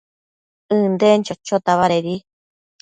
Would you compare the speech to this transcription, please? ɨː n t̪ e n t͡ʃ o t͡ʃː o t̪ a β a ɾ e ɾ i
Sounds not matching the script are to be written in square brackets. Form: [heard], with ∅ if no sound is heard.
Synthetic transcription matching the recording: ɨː n [d̪] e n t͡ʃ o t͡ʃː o t̪ a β a ɾ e ɾ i